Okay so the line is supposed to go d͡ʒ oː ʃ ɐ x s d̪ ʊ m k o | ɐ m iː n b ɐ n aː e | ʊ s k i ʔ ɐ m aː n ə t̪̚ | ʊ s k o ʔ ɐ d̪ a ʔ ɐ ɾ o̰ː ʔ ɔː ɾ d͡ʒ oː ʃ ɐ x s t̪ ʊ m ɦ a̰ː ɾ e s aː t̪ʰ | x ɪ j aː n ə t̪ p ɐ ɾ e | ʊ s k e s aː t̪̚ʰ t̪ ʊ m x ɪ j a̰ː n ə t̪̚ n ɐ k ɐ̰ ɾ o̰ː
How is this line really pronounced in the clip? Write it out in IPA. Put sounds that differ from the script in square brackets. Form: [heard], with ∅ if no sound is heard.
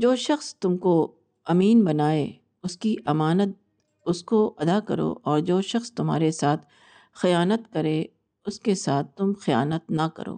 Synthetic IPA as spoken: d͡ʒ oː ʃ ɐ x s [t̪] ʊ m k o | ɐ m iː n b ɐ n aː e | ʊ s k i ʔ ɐ m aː n ə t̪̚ | ʊ s k o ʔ ɐ d̪ a [k] ɐ ɾ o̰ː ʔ ɔː ɾ d͡ʒ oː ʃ ɐ x s t̪ ʊ m ɦ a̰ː ɾ e s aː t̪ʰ | x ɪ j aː n ə t̪ [k] ɐ ɾ e | ʊ s k e s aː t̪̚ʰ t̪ ʊ m x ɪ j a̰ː n ə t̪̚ n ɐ k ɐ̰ ɾ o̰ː